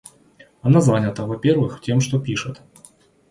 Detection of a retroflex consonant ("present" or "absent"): present